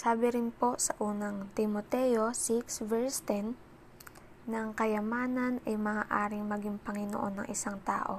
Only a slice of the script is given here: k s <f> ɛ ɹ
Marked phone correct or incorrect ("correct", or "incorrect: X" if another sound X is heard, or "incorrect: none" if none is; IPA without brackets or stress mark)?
incorrect: v